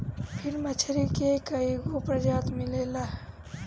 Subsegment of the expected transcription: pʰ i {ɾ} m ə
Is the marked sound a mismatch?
no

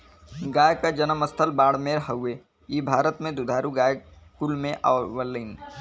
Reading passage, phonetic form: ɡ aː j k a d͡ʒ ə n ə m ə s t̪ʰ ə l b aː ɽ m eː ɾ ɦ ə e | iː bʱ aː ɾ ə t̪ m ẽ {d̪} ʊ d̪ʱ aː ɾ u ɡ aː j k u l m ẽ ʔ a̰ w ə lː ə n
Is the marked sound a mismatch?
no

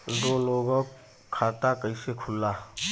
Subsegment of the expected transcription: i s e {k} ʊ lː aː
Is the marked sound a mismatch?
yes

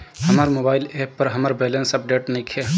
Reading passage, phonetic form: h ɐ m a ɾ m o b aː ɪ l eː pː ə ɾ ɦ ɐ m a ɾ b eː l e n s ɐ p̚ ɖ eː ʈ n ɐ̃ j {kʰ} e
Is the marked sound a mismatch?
no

